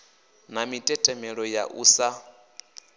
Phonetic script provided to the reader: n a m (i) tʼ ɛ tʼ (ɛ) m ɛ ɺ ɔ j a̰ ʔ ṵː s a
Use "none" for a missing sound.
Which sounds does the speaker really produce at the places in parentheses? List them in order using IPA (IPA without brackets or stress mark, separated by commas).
i, ɛ